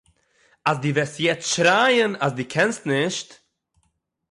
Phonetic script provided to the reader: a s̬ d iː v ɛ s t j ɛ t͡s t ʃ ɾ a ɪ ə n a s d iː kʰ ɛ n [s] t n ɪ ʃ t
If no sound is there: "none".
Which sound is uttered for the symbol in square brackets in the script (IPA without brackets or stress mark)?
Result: s